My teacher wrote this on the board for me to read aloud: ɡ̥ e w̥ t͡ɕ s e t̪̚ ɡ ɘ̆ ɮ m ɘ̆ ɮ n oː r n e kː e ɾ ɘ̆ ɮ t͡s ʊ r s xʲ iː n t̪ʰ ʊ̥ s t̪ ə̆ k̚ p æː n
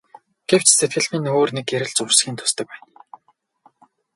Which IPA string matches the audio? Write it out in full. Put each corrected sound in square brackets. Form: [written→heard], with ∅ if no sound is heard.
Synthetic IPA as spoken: ɡ̥ e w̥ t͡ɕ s e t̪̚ ɡ ɘ̆ ɮ m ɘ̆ [ɮ→∅] n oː r n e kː e ɾ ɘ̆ ɮ t͡s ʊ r s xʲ iː n t̪ʰ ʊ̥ s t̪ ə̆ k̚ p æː n